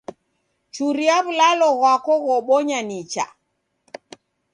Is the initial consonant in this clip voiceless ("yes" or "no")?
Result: yes